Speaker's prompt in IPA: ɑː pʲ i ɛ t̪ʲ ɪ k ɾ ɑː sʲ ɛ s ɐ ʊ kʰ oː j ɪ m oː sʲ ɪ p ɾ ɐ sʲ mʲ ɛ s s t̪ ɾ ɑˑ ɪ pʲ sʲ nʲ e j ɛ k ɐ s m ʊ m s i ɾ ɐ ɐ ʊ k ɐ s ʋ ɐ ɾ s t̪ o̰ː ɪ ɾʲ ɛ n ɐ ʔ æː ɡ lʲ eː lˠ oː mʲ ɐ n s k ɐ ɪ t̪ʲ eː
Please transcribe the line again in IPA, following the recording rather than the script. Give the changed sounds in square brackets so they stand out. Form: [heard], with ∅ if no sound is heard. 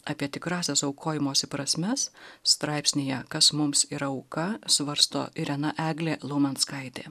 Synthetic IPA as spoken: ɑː pʲ i ɛ t̪ʲ ɪ k ɾ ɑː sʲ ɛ s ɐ ʊ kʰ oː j ɪ m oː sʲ ɪ p ɾ ɐ sʲ mʲ ɛ s s t̪ ɾ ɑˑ ɪ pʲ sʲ nʲ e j ɛ k ɐ s m ʊ m s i ɾ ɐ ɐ ʊ k ɐ s ʋ ɐ ɾ s t̪ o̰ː ɪ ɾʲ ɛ n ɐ ʔ æː ɡ lʲ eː lˠ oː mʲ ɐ n s k ɐ ɪ t̪ʲ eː